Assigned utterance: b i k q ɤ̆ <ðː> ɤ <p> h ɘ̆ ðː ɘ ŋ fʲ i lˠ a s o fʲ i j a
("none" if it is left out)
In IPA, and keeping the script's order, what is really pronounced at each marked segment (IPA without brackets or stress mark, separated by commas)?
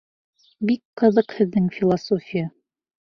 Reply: ð, q